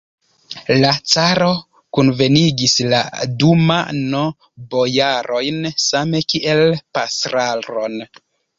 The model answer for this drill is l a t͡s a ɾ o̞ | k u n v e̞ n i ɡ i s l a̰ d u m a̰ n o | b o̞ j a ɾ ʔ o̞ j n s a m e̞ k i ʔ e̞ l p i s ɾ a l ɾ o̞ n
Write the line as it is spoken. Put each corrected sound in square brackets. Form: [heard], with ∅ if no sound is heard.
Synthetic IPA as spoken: l a t͡s a ɾ o̞ | k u n v e̞ n i ɡ i s l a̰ d u m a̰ n o | b o̞ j a ɾ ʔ o̞ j n s a m e̞ k i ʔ e̞ l p [a] s ɾ a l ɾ o̞ n